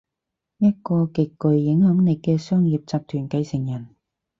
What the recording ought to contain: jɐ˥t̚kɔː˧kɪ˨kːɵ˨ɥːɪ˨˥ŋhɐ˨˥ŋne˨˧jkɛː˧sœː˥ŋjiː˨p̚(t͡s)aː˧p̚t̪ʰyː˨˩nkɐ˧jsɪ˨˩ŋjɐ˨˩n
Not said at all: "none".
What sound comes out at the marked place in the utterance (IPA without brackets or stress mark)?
t͡s